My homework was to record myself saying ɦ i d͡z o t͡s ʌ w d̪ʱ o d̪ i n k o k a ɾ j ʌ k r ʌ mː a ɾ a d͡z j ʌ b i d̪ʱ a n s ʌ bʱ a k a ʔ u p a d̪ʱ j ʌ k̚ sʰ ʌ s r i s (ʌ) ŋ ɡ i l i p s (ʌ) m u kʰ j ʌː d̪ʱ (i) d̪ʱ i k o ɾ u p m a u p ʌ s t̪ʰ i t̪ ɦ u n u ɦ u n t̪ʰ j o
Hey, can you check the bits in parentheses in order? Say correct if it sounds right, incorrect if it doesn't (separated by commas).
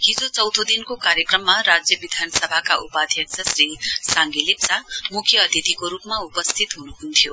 incorrect, incorrect, correct